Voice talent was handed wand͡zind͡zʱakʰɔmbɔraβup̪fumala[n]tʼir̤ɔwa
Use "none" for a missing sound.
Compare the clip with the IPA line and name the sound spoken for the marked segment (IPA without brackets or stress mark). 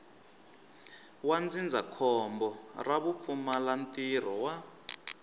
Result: n